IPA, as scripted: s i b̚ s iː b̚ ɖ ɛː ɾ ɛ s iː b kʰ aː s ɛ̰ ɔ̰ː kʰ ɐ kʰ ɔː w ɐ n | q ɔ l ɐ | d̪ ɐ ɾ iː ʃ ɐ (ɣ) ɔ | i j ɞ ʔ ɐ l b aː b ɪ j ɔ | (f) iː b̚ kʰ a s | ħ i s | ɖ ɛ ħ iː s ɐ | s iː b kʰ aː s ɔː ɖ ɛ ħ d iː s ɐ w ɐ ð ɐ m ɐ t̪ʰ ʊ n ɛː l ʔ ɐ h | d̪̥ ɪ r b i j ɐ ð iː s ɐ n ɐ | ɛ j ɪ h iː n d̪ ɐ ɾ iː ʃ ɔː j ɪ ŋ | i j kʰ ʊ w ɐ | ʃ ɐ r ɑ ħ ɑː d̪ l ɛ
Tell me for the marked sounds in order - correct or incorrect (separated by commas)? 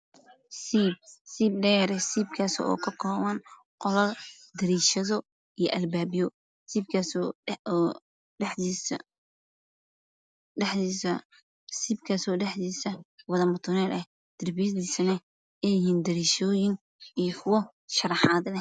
incorrect, incorrect